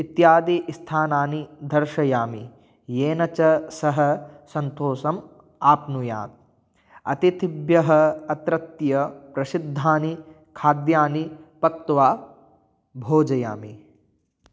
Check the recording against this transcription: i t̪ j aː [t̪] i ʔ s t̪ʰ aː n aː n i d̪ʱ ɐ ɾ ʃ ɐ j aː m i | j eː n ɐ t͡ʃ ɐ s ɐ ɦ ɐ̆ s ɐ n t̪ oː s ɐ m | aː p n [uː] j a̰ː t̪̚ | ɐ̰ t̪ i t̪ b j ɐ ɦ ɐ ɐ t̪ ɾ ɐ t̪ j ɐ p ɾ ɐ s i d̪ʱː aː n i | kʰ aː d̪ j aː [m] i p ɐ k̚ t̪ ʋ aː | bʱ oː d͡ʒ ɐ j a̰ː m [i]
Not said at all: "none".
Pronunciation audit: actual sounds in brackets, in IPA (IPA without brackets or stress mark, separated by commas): d̪, u, n, i